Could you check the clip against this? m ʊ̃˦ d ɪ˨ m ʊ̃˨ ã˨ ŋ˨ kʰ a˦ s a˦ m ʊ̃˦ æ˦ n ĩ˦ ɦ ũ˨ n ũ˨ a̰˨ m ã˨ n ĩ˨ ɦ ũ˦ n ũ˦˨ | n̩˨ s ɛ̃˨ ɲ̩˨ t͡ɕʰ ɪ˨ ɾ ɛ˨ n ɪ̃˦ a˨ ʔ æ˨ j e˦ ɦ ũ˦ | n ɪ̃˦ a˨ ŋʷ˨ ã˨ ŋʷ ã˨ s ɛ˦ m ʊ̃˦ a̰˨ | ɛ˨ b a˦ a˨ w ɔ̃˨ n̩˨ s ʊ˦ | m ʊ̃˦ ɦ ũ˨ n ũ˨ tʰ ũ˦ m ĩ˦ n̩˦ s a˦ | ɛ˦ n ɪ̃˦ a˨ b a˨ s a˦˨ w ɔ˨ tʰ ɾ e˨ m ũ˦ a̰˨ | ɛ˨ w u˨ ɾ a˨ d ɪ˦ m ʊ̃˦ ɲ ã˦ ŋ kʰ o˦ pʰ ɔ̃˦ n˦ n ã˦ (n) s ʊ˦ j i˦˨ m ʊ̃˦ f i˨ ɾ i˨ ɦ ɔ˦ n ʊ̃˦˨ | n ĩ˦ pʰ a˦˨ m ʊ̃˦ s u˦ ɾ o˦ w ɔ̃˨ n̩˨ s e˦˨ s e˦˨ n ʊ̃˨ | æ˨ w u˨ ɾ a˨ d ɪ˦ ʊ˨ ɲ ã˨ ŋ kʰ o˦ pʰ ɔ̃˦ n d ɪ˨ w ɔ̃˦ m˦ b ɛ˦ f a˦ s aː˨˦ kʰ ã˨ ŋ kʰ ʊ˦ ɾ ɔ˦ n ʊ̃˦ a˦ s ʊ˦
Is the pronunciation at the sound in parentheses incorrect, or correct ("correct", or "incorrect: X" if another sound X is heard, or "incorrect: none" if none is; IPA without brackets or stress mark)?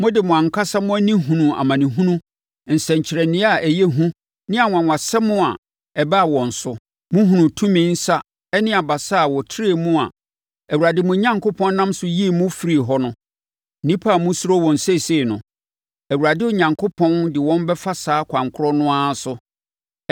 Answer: incorrect: m